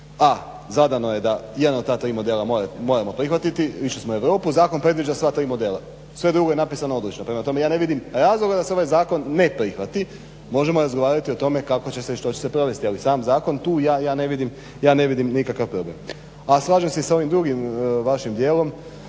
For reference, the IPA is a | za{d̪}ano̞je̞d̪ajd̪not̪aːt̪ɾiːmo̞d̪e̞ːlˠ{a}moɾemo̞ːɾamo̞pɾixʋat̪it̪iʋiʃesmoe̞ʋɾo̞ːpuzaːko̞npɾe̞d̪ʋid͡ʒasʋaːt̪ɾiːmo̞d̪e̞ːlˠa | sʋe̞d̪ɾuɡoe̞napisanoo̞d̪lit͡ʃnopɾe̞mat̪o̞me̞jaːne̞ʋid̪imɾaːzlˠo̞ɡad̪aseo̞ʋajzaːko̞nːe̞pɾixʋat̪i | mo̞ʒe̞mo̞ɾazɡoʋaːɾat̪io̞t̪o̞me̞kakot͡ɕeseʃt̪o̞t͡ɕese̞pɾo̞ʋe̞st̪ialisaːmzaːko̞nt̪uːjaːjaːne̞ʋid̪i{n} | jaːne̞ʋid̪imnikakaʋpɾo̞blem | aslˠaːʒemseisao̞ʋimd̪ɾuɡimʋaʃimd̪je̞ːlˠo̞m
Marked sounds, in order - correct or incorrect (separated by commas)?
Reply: correct, correct, incorrect